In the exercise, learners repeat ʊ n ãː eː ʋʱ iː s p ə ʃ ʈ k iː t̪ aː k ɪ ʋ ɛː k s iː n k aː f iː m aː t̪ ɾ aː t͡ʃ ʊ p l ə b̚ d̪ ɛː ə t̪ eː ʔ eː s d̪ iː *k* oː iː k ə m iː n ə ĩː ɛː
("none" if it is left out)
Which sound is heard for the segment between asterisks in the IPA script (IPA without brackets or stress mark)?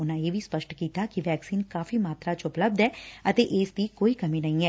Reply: k